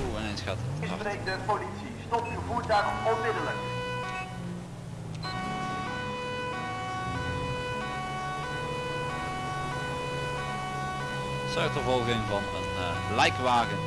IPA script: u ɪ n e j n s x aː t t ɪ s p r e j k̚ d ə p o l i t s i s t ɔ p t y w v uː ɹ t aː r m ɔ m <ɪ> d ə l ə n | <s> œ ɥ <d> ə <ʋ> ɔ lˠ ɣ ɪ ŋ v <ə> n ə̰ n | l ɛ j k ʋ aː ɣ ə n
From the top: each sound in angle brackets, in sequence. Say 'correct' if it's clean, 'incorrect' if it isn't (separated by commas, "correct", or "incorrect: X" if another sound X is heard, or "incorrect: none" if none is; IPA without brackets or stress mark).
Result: correct, correct, incorrect: t, incorrect: v, incorrect: ɑ